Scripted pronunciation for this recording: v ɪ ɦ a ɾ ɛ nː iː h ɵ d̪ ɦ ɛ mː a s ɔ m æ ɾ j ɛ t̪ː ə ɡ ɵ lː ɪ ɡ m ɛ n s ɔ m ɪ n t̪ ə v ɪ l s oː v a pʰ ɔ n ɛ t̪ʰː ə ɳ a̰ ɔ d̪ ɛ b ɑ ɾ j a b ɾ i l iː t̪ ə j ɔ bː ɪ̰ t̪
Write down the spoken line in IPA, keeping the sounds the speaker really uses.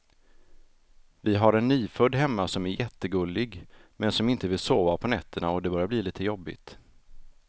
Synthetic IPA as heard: v ɪ ɦ a ɾ ɛ nː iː f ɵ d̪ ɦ ɛ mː a s ɔ m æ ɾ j ɛ t̪ː ə ɡ ɵ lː ɪ ɡ m ɛ n s ɔ m ɪ n t̪ ə v ɪ l s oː v a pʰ ɔ n ɛ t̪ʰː ə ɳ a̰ ɔ d̪ ɛ b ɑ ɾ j a b l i l iː t̪ ə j ɔ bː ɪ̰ t̪